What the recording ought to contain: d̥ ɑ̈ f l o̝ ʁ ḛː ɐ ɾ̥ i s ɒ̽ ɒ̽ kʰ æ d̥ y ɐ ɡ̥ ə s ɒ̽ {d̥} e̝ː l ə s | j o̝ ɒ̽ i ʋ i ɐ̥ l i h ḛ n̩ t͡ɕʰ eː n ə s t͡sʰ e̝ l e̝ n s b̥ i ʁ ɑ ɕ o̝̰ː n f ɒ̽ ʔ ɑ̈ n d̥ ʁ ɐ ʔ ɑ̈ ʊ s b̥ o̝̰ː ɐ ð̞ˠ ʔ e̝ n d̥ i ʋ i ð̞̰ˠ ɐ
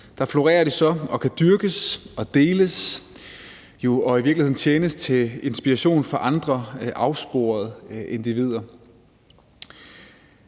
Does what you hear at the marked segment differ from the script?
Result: no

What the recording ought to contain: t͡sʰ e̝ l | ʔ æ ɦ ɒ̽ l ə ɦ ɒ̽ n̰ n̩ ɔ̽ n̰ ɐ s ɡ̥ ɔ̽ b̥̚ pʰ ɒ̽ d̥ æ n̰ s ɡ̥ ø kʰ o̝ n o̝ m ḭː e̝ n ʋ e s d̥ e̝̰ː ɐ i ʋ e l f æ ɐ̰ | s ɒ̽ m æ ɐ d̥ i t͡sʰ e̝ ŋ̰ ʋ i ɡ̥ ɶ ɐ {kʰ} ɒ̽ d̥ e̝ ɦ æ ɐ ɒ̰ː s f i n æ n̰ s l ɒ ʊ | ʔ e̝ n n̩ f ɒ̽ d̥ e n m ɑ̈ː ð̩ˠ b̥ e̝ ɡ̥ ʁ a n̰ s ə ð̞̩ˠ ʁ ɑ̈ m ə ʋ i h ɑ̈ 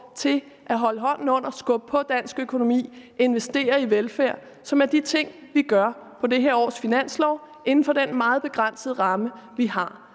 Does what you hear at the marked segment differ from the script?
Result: yes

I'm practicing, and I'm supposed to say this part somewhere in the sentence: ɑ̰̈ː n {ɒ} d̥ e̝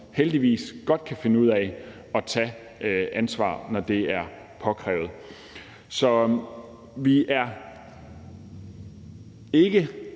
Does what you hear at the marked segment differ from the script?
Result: no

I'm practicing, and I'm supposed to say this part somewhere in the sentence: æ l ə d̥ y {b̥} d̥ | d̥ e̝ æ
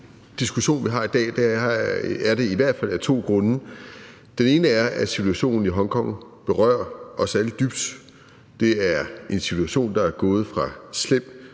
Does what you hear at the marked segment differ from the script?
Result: no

